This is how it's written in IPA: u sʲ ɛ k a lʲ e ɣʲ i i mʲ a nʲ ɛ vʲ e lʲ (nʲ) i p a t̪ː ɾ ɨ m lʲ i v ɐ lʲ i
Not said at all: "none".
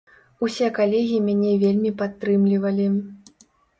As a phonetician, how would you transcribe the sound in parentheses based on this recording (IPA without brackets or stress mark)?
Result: mʲ